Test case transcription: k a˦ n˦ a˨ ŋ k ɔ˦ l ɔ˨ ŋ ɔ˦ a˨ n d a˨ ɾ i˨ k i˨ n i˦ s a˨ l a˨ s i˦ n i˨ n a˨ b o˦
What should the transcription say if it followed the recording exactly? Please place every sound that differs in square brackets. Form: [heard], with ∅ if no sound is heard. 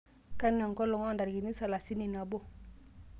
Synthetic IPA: k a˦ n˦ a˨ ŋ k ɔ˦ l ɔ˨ ŋ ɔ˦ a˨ n d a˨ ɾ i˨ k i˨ n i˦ s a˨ l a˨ s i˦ n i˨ n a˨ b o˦